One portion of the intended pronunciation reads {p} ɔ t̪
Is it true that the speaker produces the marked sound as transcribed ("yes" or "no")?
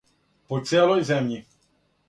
yes